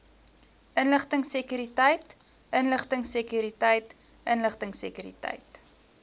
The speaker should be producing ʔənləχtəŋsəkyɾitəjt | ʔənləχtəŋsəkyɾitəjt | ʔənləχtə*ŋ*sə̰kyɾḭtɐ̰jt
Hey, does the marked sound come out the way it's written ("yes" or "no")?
yes